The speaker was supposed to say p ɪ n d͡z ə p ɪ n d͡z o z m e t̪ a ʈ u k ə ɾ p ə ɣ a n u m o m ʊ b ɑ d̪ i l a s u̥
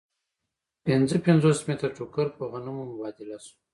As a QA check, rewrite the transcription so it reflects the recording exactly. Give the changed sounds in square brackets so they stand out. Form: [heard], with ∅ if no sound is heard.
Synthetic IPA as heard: p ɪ n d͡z ə p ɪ n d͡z o [s] m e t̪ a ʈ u k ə ɾ p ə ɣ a n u m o m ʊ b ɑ d̪ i l a s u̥

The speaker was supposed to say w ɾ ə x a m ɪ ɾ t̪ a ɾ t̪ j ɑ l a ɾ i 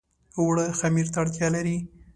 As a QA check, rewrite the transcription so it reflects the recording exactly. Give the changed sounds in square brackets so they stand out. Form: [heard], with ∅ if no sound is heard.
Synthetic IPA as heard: w [ɽ] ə x a m [i] ɾ t̪ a [ɽ] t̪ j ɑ l a ɾ i

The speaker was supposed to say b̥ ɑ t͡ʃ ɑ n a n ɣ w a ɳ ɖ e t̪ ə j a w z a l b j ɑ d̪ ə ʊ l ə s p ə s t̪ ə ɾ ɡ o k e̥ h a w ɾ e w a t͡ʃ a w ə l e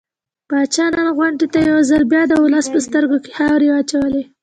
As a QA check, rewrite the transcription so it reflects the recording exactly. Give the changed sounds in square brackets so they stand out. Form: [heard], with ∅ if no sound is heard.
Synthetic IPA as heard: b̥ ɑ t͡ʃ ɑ n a n ɣ w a ɳ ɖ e t̪ [a] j a w z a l b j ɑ d̪ ə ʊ l ə s p ə s t̪ ə ɾ ɡ o k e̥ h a w ɾ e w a t͡ʃ a w ə l e

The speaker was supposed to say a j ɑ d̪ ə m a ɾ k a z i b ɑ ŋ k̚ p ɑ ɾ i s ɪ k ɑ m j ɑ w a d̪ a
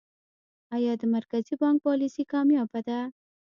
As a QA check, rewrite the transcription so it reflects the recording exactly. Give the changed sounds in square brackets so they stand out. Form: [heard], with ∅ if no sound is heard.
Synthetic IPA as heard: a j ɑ d̪ ə m a ɾ k a z i b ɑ ŋ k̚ p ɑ [l] i s [i] k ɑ m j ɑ [b] a d̪ a

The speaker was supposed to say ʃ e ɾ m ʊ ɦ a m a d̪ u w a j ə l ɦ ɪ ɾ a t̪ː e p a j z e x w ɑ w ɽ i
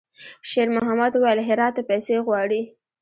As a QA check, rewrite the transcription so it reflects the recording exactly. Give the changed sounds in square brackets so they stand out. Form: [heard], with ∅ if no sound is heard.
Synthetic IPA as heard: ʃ e ɾ m ʊ ɦ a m a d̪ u w a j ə l ɦ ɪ ɾ [ɑ] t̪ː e p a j [s] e [ɣ] w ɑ [∅] ɽ i

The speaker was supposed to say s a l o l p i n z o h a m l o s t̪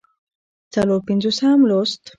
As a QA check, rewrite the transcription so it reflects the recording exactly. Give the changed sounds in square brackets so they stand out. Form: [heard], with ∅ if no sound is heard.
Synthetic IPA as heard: [t͡s] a l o [ɾ] p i n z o [s] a m l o s t̪

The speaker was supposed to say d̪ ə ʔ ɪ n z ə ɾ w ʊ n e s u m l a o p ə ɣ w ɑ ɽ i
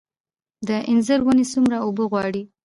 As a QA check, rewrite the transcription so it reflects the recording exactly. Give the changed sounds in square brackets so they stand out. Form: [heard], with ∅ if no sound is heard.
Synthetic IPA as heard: d̪ ə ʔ ɪ n z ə ɾ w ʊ n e s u m [ɾ] a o [b] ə ɣ w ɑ ɽ i

